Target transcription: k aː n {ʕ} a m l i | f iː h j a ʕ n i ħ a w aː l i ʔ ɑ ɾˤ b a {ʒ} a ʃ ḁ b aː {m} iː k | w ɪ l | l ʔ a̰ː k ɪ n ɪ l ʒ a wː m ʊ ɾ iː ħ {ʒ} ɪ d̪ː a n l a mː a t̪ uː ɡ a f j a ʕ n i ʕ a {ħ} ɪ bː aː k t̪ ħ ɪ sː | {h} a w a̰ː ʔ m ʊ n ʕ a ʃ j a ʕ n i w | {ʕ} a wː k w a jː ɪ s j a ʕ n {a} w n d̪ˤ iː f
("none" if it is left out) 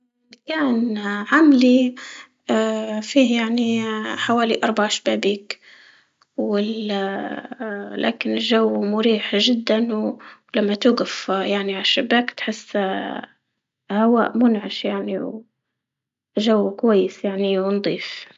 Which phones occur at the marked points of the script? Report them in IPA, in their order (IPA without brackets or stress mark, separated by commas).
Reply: ʕ, ʕ, b, ʒ, ʃ, h, ʒ, i